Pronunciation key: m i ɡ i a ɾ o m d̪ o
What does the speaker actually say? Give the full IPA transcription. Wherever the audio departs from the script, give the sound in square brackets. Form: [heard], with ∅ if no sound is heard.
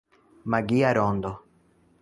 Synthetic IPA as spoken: m [a] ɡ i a ɾ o [n] d̪ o